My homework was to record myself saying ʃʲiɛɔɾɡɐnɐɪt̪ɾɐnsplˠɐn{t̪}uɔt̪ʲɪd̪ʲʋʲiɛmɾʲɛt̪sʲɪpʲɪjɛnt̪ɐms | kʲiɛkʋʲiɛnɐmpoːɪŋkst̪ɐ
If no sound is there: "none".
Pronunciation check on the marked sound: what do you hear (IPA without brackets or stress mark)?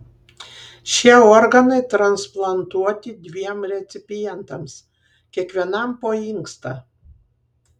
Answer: t̪